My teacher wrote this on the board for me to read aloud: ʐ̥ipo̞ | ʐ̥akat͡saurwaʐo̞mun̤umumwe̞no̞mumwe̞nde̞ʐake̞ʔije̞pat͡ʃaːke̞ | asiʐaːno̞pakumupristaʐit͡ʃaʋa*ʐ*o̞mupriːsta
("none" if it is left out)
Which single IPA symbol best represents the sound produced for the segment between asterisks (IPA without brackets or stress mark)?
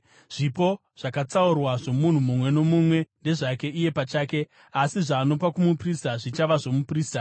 ʐ